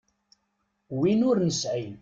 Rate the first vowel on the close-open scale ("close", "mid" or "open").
close